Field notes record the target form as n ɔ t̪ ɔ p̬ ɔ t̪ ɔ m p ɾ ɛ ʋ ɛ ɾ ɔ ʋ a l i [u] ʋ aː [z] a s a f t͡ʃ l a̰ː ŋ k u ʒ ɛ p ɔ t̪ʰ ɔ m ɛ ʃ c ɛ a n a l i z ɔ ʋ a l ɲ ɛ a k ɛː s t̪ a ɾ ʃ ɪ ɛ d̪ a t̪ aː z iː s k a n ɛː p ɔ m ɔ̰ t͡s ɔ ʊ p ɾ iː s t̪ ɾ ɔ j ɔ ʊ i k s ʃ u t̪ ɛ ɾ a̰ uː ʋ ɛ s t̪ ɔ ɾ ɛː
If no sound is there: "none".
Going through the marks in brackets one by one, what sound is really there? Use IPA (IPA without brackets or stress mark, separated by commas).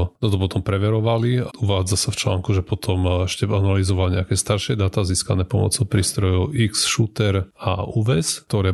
u, d͡z